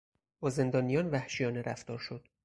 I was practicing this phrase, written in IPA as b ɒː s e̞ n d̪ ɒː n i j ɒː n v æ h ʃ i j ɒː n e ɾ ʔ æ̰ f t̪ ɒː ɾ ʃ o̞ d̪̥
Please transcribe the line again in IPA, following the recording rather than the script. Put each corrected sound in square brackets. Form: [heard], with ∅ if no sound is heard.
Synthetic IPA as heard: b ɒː [z] e̞ n d̪ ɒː n i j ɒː n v æ h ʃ i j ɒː n e ɾ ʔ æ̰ f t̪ ɒː ɾ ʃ o̞ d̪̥